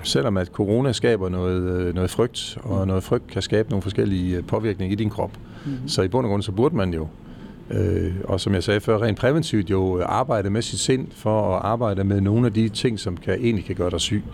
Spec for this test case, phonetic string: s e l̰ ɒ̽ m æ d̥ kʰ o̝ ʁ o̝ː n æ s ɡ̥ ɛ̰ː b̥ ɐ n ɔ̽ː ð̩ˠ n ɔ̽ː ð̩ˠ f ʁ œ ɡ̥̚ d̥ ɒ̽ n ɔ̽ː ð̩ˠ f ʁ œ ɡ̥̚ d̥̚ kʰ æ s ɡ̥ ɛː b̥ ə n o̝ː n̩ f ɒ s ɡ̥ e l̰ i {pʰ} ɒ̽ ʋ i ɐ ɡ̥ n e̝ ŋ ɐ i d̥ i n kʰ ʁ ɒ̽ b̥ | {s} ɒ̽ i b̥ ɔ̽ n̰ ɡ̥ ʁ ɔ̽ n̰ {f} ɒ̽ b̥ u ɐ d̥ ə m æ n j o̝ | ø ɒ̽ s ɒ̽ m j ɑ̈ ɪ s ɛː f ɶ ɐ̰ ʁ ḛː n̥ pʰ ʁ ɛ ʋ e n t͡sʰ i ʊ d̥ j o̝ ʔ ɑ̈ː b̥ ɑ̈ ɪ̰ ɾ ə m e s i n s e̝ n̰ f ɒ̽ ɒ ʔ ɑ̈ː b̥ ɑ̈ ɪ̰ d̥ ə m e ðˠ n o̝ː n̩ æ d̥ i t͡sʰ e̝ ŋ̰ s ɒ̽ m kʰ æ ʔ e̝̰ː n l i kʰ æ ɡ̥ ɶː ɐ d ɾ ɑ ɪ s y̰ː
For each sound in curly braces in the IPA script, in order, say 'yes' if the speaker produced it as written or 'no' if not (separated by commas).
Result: yes, yes, no